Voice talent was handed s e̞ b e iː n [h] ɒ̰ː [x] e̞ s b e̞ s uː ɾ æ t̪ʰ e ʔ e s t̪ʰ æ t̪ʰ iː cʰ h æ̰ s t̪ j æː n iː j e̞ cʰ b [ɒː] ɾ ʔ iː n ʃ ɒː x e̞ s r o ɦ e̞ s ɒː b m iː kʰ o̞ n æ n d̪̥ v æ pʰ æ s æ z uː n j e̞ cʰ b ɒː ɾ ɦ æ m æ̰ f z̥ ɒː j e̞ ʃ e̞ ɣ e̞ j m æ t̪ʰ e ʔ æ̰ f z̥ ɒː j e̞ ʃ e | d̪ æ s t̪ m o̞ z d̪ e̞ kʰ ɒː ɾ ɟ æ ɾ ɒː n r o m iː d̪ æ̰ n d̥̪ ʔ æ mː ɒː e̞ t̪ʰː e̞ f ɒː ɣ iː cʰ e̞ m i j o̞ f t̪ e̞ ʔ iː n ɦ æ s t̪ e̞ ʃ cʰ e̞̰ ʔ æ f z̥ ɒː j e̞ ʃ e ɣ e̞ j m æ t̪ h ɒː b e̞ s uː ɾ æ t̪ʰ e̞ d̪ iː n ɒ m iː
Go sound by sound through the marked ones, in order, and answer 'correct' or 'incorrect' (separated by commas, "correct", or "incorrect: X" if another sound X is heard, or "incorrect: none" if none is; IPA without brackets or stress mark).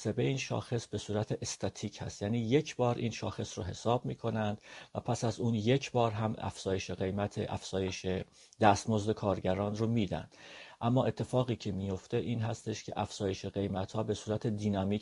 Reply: incorrect: ʃ, correct, correct